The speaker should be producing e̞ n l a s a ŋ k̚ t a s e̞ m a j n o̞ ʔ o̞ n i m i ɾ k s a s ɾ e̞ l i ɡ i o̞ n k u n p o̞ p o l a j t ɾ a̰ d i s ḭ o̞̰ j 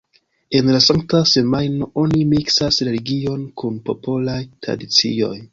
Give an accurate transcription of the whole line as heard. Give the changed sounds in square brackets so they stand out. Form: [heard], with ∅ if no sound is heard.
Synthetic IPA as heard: e̞ n l a s a ŋ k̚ t a s e̞ m a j n o̞ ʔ o̞ n i m i [∅] k s a s ɾ e̞ l i ɡ i o̞ n k u n p o̞ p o l a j t ɾ a̰ d i [t͡s] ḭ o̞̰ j